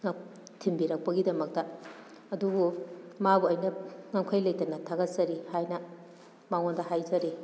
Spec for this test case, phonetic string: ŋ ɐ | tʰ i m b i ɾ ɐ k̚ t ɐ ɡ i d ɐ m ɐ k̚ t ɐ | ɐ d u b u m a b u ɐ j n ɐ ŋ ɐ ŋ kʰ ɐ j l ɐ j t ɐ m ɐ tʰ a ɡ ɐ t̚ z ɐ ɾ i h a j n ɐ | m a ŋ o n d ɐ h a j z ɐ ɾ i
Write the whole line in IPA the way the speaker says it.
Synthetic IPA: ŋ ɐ | tʰ i m b i ɾ ɐ k̚ p ɐ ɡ i d ɐ m ɐ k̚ t ɐ | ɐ d u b u m a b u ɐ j n ɐ ŋ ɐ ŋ kʰ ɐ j l ɐ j t ɐ n ɐ tʰ a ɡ ɐ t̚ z ɐ ɾ i h a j n ɐ | m a ŋ o n d ɐ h a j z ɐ ɾ i